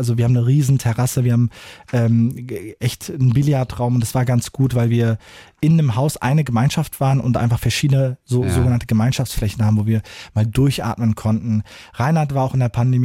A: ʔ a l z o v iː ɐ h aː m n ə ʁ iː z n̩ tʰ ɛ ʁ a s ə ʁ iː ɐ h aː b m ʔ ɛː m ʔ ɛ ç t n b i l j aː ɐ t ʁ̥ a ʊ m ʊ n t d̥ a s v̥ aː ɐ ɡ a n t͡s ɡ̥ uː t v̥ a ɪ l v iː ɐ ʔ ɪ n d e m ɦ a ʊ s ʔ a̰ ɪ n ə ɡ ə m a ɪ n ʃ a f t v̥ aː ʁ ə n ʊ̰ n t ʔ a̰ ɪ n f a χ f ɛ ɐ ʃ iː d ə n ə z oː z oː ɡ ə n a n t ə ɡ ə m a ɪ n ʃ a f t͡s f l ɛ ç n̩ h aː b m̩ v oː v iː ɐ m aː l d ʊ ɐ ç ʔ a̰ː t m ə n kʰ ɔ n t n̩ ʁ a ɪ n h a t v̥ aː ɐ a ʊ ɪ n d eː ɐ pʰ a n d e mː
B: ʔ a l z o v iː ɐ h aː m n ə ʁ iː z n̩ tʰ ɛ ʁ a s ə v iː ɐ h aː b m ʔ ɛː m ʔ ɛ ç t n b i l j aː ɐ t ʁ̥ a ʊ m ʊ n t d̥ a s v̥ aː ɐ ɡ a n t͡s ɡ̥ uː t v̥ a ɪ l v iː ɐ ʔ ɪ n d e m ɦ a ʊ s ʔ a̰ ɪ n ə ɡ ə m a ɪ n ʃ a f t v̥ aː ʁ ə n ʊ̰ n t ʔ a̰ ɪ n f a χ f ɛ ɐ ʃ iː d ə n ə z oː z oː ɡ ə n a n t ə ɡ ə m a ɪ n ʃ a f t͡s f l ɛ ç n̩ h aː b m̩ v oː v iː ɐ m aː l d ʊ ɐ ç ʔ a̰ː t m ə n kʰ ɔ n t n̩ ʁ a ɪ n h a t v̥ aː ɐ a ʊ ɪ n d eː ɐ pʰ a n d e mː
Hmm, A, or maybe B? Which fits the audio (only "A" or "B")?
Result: B